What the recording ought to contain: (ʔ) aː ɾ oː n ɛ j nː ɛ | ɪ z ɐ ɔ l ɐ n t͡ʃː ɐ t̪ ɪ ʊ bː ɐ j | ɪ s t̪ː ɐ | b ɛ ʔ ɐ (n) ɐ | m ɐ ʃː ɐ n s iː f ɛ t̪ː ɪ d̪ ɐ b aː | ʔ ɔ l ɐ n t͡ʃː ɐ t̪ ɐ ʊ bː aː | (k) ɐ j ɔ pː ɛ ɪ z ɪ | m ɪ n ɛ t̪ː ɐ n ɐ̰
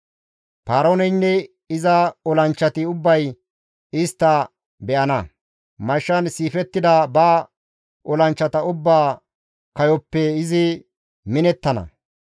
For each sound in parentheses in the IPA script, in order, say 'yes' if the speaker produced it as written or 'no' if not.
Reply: no, yes, yes

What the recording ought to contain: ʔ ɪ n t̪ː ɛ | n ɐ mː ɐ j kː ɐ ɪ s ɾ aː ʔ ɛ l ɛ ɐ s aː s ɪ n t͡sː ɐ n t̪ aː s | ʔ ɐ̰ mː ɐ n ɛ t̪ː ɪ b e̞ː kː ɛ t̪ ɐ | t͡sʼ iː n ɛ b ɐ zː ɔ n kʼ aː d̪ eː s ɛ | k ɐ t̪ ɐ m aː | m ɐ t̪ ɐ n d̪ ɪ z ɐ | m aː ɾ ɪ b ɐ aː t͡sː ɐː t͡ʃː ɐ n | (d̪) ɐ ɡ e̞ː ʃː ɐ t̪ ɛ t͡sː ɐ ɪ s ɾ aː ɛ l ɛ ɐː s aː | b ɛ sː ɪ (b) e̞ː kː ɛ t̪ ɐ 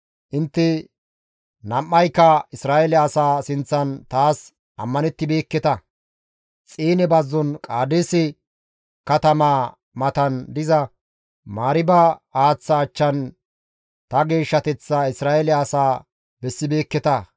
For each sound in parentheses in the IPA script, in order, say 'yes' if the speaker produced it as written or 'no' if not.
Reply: no, yes

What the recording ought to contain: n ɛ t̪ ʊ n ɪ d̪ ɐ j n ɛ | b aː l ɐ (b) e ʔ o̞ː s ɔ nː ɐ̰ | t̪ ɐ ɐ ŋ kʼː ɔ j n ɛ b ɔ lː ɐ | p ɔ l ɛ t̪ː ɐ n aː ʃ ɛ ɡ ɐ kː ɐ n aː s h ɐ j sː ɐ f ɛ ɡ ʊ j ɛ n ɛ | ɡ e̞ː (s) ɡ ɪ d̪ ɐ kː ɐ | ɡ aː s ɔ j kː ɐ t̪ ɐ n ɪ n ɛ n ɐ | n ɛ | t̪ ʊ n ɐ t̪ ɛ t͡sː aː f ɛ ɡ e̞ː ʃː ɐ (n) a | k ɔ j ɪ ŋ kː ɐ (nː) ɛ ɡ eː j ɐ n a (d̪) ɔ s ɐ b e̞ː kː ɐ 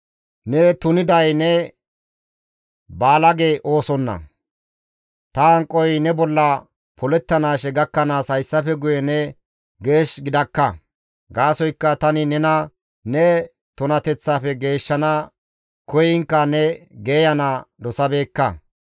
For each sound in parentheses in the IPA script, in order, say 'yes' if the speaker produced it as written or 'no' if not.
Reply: no, no, yes, no, yes

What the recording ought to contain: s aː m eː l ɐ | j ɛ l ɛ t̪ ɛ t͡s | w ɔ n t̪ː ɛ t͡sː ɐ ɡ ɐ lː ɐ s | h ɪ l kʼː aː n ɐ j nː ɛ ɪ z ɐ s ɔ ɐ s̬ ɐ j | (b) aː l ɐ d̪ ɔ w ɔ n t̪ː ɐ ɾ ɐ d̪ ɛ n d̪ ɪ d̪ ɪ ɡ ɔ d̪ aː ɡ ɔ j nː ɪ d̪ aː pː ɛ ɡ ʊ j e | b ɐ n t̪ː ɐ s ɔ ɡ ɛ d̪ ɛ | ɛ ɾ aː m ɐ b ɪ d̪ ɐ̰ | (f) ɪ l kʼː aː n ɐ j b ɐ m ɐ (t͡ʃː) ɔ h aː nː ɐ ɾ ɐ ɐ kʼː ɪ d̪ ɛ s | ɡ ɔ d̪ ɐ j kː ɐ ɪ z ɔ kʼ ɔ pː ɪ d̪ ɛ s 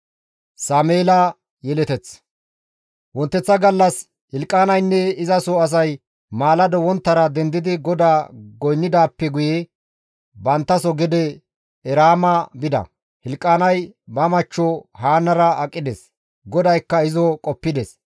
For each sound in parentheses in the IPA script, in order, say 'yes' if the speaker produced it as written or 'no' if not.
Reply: no, no, yes

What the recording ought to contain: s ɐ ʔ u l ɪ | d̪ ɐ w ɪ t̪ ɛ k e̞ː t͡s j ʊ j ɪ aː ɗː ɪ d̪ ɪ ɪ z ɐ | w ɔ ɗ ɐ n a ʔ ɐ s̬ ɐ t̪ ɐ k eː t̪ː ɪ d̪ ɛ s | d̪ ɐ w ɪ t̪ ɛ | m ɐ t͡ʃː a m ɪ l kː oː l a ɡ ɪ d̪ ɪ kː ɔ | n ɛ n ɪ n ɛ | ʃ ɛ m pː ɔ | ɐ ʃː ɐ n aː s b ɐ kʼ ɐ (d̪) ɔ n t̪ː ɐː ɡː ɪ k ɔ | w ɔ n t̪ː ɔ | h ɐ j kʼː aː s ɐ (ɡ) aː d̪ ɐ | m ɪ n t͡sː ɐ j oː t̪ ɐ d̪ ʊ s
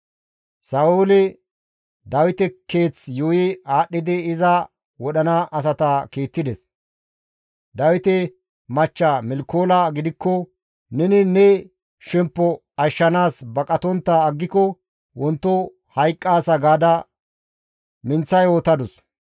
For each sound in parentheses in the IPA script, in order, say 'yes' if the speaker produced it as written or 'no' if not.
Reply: no, yes

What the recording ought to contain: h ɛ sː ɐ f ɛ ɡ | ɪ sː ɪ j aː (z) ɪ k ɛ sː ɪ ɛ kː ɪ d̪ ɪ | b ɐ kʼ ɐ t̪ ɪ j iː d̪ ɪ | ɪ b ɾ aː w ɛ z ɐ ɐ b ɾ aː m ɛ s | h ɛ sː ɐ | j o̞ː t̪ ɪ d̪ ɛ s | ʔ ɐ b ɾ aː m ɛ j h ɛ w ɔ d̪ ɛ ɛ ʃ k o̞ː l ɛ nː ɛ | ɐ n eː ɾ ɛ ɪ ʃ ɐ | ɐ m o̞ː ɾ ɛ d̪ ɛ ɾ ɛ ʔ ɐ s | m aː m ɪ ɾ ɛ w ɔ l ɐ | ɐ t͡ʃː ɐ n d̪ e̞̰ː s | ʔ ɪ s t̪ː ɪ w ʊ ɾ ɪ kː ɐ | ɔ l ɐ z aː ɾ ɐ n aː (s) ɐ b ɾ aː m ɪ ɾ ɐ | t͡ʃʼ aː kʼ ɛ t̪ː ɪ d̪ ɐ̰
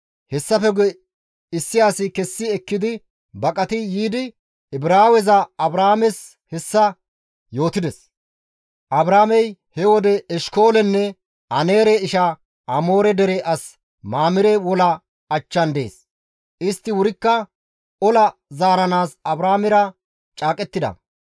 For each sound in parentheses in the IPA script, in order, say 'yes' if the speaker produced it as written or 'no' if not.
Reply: no, yes

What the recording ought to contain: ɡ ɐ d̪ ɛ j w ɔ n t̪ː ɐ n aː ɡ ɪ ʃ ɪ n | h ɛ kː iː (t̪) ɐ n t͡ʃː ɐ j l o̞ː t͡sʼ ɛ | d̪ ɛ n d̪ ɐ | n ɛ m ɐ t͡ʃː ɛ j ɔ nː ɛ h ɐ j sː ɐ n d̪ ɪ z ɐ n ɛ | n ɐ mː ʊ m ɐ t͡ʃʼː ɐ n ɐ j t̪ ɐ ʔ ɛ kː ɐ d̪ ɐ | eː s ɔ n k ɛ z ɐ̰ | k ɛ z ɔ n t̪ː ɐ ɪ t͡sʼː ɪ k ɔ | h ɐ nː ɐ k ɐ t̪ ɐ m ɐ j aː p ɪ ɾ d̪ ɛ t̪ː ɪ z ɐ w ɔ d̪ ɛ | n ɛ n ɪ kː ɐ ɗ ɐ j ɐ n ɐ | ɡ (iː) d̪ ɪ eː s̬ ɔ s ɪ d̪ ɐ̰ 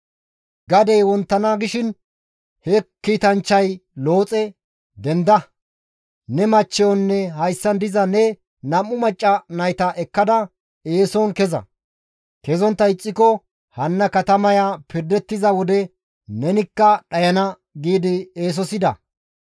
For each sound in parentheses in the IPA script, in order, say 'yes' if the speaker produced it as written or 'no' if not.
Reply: yes, yes

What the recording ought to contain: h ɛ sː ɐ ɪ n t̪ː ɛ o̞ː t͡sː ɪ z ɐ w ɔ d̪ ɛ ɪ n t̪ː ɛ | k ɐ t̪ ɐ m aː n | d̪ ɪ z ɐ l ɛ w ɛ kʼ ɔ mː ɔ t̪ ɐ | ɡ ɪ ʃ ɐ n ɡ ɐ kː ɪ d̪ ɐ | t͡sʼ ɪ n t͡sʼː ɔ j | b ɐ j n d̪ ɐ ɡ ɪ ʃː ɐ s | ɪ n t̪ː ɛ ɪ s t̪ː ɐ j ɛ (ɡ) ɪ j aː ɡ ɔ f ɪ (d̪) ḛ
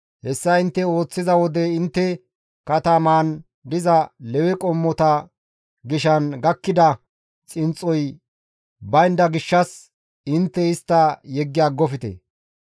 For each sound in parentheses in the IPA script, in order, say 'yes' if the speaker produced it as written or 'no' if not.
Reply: no, no

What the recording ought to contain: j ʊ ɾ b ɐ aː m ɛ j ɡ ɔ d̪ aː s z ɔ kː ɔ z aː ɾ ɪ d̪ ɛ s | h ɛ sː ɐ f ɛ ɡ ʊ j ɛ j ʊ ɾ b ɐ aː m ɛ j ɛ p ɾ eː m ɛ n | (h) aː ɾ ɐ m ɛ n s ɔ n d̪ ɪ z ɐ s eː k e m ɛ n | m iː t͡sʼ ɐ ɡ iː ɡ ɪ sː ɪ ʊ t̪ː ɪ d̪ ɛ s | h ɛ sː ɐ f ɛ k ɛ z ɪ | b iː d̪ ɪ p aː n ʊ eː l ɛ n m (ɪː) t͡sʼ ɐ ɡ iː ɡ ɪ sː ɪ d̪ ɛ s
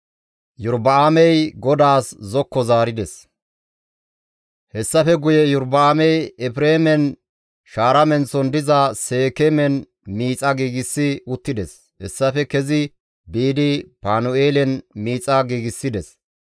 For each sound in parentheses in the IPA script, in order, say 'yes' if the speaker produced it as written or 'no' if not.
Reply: no, no

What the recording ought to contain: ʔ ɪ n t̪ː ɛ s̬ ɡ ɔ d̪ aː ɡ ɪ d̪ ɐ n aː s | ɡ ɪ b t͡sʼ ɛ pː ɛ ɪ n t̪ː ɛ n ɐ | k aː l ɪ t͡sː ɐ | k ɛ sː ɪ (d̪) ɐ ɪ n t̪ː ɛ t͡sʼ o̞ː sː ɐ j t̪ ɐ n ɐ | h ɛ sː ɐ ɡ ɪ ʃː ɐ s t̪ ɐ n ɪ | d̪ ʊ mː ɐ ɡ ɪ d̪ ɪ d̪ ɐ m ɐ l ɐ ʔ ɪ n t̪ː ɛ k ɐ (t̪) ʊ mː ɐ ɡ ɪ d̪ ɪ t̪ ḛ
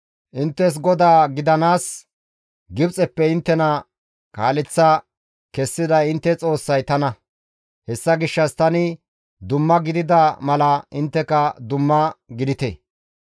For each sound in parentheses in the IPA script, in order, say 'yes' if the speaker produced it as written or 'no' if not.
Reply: yes, no

